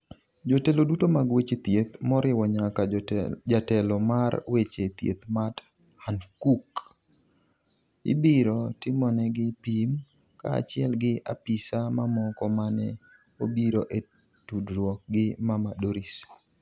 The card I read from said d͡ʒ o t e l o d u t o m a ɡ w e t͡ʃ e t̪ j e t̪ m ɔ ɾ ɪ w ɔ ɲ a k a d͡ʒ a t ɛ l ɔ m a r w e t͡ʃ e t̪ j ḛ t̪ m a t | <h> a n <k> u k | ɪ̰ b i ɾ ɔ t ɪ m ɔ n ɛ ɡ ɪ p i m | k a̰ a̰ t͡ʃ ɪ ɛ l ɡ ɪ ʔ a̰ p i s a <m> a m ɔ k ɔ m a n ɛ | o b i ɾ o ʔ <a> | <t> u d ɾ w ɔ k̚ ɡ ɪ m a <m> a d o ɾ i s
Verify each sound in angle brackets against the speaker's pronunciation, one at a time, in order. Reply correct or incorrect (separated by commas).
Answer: correct, correct, correct, incorrect, correct, correct